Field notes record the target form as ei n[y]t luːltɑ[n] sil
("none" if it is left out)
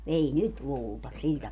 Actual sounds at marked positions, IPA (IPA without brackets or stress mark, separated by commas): y, none